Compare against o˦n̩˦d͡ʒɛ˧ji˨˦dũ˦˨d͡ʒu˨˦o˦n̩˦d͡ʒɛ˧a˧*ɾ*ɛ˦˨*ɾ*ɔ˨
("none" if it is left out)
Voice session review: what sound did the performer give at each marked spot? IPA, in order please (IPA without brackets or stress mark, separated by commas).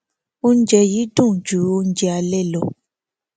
l, l